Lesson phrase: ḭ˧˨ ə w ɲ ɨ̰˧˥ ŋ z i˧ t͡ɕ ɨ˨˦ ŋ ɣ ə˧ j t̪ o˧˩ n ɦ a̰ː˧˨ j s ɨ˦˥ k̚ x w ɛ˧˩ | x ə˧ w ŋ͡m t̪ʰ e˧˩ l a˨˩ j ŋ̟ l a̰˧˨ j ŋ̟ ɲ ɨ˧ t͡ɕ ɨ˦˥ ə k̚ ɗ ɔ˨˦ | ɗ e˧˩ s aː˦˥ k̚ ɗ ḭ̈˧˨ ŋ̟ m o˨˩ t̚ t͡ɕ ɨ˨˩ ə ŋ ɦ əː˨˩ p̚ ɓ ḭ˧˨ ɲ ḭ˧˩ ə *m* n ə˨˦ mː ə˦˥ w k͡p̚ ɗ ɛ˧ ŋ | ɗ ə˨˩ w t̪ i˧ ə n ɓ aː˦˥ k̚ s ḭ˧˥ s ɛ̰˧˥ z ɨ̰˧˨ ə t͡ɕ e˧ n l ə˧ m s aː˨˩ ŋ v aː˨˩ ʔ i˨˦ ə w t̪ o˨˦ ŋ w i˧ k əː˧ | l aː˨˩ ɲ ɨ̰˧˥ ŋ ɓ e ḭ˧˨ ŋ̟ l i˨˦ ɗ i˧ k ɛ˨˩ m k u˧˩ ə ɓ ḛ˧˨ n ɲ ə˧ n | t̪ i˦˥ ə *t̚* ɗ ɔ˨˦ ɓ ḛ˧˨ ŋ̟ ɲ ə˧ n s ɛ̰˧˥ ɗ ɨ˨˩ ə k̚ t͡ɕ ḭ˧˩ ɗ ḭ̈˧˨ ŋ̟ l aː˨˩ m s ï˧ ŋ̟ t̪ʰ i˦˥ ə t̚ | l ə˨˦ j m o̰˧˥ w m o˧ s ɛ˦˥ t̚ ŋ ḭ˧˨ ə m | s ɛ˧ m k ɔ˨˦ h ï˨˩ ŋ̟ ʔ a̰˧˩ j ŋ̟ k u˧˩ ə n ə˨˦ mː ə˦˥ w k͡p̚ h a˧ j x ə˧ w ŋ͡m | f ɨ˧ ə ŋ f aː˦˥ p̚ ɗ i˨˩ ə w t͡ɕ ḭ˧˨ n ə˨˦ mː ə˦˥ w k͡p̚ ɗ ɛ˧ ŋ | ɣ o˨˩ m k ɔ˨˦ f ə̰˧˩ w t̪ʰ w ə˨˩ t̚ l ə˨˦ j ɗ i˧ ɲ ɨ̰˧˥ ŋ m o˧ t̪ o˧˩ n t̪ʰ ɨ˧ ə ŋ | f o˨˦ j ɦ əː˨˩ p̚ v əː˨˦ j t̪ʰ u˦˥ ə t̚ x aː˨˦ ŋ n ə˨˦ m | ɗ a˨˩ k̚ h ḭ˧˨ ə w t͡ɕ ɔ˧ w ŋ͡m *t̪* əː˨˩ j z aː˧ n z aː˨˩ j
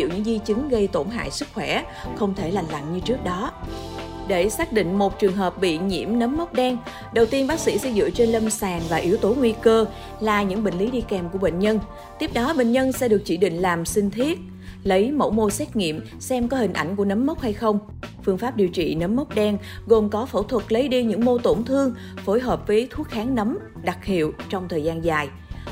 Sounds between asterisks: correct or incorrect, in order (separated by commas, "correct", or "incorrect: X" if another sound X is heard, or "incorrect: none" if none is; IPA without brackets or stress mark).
correct, incorrect: p̚, incorrect: t̪ʰ